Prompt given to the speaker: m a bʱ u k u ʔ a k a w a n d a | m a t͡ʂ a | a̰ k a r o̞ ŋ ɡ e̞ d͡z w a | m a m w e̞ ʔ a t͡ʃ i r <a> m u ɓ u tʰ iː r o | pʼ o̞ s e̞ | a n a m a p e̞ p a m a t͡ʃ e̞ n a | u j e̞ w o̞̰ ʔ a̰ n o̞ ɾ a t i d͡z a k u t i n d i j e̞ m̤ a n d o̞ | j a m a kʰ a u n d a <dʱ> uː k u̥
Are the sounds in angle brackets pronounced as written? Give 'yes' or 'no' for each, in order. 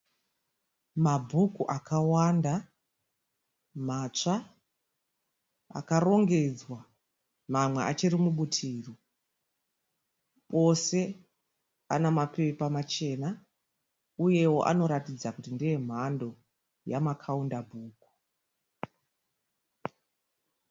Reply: no, no

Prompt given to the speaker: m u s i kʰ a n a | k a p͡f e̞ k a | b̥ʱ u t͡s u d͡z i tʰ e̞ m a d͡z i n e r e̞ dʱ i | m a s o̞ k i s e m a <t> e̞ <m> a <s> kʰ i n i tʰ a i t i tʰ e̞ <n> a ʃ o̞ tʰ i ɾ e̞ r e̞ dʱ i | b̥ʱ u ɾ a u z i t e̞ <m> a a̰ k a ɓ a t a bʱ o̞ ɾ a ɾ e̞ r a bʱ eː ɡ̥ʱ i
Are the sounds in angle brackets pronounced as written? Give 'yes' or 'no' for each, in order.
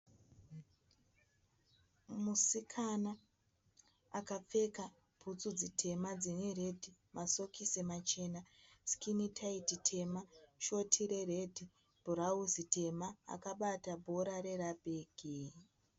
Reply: no, no, yes, no, yes

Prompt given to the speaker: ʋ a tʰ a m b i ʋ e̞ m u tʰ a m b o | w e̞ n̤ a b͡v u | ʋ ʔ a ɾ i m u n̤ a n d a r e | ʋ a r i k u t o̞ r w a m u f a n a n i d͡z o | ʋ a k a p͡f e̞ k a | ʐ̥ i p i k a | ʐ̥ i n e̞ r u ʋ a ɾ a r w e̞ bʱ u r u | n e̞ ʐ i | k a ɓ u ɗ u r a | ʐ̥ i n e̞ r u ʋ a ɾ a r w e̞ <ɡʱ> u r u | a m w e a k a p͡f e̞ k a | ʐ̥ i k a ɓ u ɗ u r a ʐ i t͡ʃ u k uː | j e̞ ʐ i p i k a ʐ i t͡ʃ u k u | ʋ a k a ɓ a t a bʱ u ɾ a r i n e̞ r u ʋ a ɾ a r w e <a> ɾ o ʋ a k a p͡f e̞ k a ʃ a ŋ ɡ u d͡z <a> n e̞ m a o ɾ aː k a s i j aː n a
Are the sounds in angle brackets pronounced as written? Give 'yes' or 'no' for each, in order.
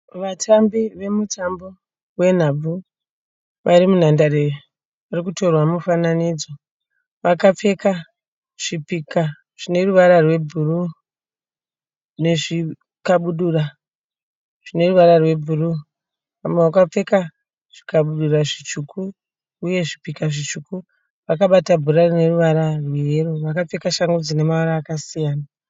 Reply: no, no, no

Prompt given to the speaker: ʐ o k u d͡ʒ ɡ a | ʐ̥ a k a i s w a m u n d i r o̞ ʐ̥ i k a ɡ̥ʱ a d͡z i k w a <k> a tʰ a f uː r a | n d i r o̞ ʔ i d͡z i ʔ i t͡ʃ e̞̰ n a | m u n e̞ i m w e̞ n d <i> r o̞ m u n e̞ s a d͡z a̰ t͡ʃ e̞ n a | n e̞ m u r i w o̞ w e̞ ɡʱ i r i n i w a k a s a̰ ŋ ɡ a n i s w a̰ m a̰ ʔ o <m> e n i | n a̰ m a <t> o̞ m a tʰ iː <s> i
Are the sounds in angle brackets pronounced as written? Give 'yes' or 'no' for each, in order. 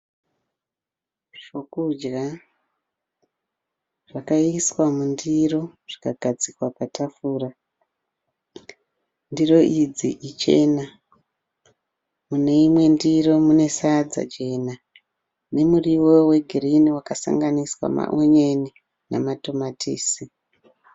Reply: no, yes, no, yes, yes

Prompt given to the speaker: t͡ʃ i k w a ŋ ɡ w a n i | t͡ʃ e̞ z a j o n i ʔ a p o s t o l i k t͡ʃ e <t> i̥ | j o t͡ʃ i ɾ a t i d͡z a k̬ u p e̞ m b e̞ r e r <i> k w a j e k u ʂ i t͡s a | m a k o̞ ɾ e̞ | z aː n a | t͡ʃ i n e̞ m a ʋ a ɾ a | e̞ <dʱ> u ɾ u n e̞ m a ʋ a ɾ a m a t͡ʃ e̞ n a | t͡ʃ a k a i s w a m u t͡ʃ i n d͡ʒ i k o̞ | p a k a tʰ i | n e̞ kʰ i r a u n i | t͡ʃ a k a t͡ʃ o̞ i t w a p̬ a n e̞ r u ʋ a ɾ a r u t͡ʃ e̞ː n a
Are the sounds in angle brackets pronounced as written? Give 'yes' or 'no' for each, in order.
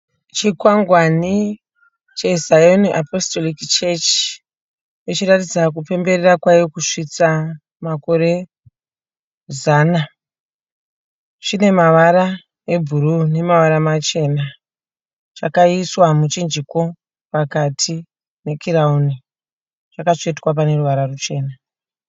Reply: no, no, no

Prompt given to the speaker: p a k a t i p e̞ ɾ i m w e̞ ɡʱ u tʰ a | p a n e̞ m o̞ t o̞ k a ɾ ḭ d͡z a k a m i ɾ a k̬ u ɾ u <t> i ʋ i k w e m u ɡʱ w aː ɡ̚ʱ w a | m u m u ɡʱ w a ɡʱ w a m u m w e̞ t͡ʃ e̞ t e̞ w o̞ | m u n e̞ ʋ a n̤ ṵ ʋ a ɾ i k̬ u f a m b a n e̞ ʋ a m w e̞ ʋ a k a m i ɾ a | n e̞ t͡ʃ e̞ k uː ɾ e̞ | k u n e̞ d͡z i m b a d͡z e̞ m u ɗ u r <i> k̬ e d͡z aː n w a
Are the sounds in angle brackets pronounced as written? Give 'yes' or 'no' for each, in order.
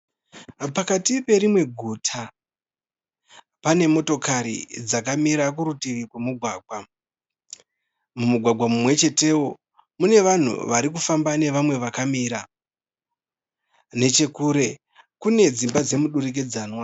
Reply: yes, yes

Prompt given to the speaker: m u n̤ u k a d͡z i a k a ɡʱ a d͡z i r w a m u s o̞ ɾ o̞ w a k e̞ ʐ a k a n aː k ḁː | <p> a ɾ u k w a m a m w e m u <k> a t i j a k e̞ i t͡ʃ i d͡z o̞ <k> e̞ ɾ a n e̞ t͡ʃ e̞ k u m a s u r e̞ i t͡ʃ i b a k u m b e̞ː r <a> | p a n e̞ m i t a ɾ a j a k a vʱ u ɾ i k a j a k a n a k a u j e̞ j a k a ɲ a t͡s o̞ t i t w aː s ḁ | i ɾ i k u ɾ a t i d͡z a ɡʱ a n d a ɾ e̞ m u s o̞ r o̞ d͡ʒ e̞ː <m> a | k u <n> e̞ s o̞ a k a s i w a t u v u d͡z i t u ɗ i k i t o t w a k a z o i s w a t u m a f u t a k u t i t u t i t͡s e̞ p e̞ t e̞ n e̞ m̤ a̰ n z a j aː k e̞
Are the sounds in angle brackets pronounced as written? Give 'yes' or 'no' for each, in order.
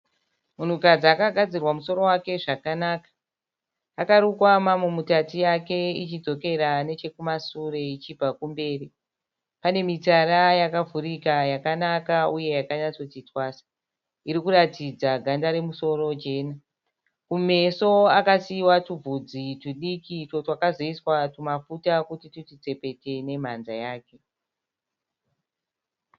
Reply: no, no, yes, no, no, no

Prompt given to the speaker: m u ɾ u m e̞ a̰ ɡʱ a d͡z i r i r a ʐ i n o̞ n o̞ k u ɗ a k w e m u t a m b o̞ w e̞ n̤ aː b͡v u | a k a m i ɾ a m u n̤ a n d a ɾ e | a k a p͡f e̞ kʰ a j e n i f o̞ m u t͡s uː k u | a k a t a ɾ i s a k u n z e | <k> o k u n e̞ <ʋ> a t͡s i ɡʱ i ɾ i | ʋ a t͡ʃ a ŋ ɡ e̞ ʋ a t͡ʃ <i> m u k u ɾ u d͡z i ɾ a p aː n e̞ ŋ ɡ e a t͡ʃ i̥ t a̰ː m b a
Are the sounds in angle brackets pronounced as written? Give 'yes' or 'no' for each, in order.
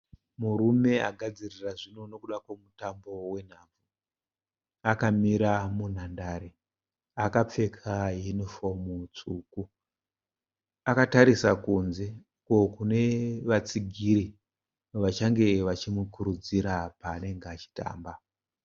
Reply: yes, yes, yes

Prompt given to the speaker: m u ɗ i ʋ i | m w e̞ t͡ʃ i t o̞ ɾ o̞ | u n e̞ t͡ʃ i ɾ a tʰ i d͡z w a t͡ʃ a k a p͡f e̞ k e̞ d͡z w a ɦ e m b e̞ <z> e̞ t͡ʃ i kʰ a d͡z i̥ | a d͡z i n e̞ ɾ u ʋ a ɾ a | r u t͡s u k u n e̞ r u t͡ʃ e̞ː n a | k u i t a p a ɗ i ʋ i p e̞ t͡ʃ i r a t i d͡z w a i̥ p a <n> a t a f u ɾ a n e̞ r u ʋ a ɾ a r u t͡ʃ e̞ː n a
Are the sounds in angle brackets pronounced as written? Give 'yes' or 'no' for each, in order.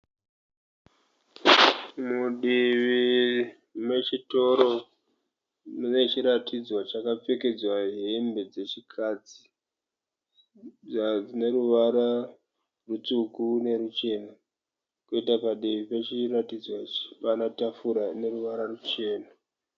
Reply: no, yes

